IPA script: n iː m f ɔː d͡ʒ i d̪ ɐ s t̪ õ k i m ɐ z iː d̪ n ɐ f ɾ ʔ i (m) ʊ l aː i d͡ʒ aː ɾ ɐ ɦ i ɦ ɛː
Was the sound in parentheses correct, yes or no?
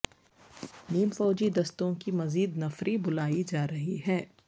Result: no